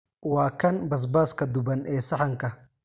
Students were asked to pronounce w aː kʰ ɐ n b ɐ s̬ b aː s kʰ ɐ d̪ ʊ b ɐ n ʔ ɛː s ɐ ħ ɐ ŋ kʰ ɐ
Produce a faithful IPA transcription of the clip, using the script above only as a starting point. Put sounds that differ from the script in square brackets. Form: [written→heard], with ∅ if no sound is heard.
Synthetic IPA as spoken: w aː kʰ ɐ n b ɐ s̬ b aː s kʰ ɐ d̪ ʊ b ɐ n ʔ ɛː s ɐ ħ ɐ ŋ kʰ ɐ